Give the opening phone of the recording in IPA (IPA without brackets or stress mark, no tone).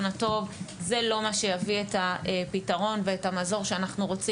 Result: n